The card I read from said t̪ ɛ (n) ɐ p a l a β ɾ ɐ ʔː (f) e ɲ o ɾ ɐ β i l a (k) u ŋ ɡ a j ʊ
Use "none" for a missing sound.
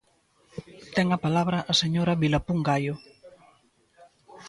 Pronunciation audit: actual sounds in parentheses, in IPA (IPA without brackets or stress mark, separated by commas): ŋ, s, p